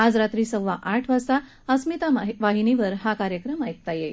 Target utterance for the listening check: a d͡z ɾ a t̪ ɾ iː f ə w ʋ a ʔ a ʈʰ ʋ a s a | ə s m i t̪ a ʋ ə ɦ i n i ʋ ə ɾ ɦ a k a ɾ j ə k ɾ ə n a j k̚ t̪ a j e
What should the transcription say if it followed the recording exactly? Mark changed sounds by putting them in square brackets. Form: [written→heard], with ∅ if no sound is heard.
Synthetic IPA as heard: a d͡z ɾ a t̪ ɾ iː [f→s] ə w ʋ a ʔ a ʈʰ ʋ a s a | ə s m i t̪ a ʋ [ə→a] ɦ i n i ʋ ə ɾ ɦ a k a ɾ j ə k ɾ ə [n→m] a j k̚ t̪ a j e